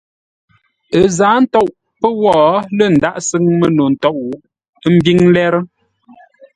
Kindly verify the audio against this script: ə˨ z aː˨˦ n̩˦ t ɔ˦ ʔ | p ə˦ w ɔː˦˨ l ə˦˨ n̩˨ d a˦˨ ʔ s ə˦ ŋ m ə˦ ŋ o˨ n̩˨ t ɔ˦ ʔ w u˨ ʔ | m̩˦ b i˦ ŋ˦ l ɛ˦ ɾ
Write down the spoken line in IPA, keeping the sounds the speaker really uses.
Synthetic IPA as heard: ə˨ z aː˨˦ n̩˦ t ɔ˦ ʔ | p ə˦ w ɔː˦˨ l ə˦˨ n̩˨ d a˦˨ ʔ s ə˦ ŋ m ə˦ n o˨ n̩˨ t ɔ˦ ʔ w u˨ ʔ | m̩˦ b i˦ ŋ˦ l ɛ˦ ɾ